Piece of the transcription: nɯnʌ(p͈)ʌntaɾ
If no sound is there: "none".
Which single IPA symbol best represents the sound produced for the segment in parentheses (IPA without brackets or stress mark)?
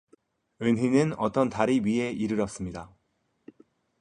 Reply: t͈